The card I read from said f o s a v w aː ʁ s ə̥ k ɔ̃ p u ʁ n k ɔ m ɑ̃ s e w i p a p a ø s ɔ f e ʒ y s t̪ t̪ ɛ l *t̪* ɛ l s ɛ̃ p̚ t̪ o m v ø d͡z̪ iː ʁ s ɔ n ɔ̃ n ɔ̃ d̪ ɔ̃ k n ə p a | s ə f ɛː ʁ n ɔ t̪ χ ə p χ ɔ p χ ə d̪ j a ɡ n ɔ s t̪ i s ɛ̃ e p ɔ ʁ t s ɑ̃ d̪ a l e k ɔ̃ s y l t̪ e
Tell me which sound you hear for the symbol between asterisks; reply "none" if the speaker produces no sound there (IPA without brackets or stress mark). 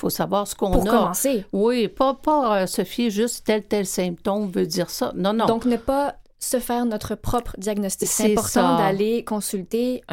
t̪